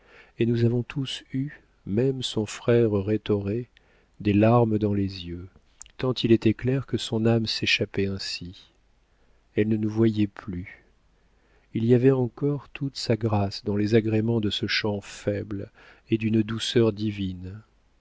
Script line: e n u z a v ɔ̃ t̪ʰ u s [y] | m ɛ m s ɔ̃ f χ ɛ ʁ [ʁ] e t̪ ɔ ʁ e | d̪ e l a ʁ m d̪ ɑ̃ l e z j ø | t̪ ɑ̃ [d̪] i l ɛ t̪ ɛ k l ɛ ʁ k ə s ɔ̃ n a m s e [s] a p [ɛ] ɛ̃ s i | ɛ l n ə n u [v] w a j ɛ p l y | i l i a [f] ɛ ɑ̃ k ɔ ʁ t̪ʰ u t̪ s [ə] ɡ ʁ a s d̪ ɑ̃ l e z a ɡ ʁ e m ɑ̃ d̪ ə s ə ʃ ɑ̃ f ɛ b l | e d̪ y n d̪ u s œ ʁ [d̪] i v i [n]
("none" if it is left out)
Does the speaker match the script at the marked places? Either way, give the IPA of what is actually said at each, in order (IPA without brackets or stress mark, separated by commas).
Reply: y, ʁ, t̪, ʃ, ɛ, v, v, a, d̪, n